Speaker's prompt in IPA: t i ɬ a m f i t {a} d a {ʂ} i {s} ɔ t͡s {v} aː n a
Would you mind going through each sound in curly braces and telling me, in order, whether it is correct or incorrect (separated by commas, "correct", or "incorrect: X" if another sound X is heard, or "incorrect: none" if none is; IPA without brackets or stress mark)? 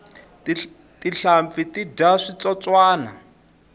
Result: incorrect: i, correct, incorrect: t͡s, incorrect: w